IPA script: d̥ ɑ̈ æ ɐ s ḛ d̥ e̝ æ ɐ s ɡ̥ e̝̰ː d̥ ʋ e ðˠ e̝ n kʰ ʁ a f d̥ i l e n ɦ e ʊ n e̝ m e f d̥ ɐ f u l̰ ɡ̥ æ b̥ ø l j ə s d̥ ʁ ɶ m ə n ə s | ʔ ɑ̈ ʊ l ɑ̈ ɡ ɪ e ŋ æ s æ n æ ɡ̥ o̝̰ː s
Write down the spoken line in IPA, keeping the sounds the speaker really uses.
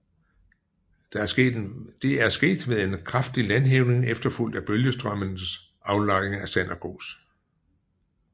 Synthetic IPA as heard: d̥ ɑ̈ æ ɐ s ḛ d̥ e̝ æ ɐ s ɡ̥ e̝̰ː d̥ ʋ e ðˠ e̝ n kʰ ʁ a f d̥ i l æ n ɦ e ʊ n e̝ ŋ e f d̥ ɐ f u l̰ d̥ æ b̥ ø l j ə s d̥ ʁ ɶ m ə n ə s | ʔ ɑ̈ ʊ l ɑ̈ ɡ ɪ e ŋ æ s æ n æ ɡ̥ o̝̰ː s